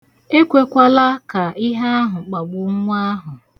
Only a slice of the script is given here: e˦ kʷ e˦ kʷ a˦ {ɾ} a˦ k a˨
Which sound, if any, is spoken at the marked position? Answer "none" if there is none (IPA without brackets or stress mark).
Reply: l